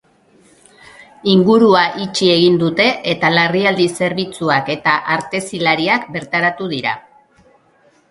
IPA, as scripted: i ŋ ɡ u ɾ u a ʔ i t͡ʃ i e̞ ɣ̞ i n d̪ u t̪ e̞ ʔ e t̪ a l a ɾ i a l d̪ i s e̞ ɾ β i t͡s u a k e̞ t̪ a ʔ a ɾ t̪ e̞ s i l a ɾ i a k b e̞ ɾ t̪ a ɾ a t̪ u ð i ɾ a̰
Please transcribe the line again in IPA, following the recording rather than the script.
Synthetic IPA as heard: i ŋ ɡ u ɾ u a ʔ i t͡ʃ i e̞ ɣ̞ i n d̪ u t̪ e̞ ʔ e t̪ a l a r i a l d̪ i s e̞ ɾ β i t͡s u a k e̞ t̪ a ʔ a ɾ t̪ e̞ s i l a ɾ i a k b e̞ ɾ t̪ a ɾ a t̪ u ð i ɾ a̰